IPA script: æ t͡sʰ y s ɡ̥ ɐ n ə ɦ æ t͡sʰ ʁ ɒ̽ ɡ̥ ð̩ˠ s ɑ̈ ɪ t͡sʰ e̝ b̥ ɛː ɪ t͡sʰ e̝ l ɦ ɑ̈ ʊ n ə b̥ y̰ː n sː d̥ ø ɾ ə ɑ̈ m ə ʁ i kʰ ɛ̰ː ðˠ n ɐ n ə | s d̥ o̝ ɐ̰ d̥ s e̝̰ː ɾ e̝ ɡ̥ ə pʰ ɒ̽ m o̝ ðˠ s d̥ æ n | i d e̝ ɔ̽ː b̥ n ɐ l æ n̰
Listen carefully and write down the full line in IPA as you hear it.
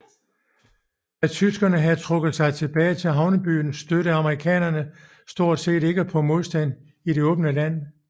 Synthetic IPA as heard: æ t͡sʰ y s ɡ̥ ɐ n ə ɦ æ t͡sʰ ʁ ɔ̽ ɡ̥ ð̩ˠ s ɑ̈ ɪ t͡sʰ e̝ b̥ ɛː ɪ t͡sʰ e̝ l ɦ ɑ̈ ʊ n ə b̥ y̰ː n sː d̥ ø ɾ ə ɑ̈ m ə ʁ i kʰ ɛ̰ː n ɐ n ə | s d̥ o̝ ɐ̰ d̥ s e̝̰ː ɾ e̝ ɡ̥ ə pʰ ɒ̽ m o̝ ðˠ s d̥ æ n | i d e̝ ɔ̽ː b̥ n ə l æ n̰